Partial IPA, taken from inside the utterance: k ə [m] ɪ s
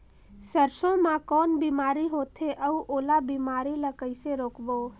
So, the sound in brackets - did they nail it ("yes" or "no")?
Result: no